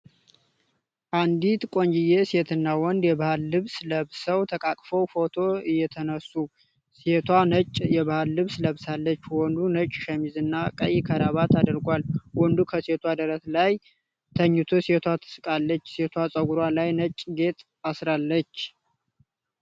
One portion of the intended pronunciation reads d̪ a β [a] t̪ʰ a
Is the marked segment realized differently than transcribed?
no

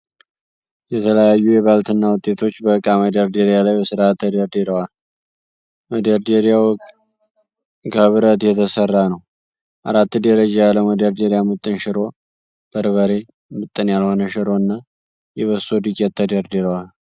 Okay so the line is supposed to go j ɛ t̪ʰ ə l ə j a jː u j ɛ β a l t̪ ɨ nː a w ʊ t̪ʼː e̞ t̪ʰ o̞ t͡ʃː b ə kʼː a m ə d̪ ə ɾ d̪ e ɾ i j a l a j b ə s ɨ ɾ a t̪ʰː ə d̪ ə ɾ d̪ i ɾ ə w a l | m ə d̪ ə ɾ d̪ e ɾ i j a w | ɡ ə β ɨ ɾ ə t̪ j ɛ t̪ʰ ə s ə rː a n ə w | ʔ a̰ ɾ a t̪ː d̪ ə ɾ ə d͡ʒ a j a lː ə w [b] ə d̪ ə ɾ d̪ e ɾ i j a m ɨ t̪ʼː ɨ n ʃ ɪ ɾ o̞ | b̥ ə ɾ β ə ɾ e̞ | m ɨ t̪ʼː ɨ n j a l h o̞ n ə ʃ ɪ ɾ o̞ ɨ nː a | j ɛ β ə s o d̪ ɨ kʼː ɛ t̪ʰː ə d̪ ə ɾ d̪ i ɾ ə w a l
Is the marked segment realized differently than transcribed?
yes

